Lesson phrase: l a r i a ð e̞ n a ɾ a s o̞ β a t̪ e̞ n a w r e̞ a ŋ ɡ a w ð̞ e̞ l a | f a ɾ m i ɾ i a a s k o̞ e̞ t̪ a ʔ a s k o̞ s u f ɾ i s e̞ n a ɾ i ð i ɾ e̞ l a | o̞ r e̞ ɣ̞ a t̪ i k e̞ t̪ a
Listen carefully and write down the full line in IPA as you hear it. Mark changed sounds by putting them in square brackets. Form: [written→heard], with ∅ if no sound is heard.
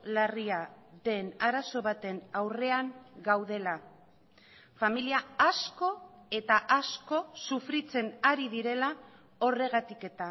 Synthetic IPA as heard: l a r i a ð e̞ n a ɾ a s o̞ β a t̪ e̞ n a w r e̞ a ŋ ɡ a w ð̞ e̞ l a | f a [ɾ→∅] m i [ɾ→l] i a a s k o̞ e̞ t̪ a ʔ a s k o̞ s u f ɾ i [s→t͡s] e̞ n a ɾ i ð i ɾ e̞ l a | o̞ r e̞ ɣ̞ a t̪ i k e̞ t̪ a